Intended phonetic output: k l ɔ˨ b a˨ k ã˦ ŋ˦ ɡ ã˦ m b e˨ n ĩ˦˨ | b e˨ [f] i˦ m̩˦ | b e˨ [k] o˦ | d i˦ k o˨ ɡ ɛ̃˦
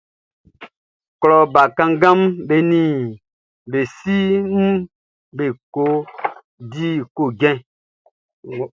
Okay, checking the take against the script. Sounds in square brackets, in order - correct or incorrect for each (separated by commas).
incorrect, correct